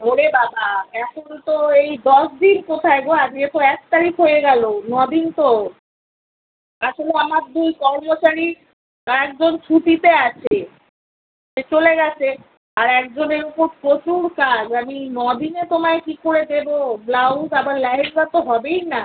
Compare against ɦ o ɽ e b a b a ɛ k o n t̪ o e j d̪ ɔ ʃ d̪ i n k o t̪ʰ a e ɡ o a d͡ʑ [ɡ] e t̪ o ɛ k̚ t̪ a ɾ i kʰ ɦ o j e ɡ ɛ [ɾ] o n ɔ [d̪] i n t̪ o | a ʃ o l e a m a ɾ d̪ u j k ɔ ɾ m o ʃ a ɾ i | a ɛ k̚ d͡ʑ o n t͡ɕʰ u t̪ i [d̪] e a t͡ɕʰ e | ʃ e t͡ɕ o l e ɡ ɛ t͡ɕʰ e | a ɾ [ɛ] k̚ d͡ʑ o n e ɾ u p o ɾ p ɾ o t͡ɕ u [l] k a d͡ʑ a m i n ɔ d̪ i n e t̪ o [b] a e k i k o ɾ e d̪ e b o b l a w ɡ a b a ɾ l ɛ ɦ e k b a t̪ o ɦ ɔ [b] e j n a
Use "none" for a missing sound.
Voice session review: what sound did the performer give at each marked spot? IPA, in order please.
ɡ, l, d̪, t̪, ɛ, ɾ, m, b

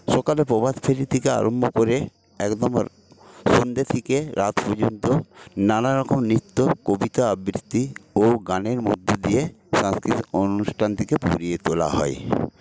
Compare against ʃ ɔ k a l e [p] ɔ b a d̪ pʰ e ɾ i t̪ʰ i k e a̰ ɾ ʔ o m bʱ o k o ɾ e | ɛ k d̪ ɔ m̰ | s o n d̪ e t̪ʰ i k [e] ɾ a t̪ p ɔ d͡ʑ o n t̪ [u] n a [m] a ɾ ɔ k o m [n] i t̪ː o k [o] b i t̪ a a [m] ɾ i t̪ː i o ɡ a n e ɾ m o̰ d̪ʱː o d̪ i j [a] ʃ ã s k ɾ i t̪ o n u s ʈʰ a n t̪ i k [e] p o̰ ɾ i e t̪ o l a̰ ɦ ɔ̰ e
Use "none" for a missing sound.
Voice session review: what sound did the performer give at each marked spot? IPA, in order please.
p, e, o, n, n, o, b, e, e

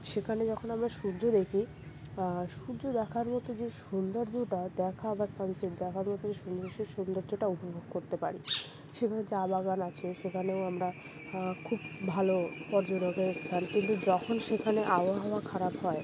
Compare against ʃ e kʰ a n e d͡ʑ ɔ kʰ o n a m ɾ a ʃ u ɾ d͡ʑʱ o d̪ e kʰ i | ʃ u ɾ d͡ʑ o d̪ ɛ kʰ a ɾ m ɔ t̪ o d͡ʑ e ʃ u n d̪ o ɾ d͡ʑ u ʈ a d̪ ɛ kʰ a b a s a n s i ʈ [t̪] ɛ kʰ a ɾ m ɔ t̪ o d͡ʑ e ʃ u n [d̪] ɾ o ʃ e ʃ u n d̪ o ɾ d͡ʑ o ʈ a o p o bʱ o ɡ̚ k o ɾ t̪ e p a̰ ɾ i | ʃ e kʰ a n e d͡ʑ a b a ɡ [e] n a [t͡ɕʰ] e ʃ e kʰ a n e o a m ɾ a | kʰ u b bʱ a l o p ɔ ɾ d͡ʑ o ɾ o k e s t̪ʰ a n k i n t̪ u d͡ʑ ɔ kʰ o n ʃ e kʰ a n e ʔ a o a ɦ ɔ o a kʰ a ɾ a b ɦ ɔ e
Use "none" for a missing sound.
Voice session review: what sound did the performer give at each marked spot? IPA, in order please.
d̪, d̪, a, t͡ɕʰ

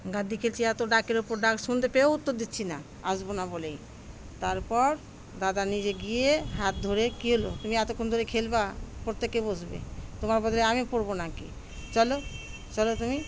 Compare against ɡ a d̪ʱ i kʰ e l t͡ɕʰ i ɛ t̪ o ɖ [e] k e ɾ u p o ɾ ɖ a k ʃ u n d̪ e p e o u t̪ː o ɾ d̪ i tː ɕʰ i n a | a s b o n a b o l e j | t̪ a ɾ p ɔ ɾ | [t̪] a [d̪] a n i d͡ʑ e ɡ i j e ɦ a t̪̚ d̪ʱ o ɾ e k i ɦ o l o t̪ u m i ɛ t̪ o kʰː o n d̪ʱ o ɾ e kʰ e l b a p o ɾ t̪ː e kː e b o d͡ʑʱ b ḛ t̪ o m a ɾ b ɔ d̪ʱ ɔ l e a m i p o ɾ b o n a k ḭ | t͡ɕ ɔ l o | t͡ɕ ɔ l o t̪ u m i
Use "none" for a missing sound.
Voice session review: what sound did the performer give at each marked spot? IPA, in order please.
a, d̪, d̪

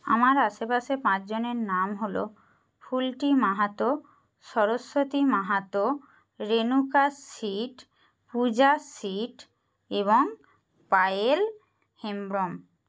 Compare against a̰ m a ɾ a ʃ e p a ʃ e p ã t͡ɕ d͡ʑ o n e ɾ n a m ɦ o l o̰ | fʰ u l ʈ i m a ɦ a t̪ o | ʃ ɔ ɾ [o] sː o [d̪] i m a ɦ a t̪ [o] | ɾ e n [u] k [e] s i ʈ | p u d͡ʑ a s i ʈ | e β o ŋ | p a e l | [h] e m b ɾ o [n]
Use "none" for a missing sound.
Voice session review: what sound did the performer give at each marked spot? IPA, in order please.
o, t̪, o, u, a, h, m

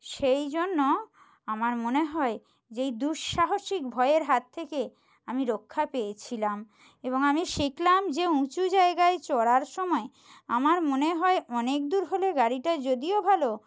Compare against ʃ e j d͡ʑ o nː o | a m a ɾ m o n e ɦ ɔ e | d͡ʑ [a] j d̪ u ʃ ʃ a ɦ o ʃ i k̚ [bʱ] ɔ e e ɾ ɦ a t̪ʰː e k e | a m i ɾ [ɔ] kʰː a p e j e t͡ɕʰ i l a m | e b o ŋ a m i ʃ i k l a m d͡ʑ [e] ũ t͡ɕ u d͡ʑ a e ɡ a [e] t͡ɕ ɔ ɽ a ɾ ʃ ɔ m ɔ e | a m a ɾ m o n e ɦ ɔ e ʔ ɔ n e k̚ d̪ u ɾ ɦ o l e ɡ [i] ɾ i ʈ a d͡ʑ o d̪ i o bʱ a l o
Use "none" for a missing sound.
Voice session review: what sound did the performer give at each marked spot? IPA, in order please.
e, bʱ, o, e, e, a

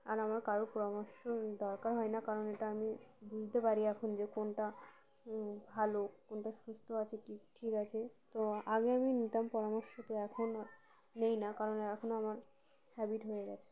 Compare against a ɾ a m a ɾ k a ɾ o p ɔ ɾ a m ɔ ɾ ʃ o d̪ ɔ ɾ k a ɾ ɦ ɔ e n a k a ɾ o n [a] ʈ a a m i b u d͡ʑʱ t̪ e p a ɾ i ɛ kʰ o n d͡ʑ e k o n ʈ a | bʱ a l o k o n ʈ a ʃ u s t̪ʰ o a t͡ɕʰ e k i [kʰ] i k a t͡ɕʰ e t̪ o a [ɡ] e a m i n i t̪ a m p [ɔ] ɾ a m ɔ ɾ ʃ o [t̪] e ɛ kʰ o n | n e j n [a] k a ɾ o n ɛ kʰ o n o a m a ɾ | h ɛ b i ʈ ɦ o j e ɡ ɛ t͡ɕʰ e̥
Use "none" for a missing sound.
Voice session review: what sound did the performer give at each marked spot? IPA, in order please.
e, ʈʰ, ɡ, ɔ, t̪, a

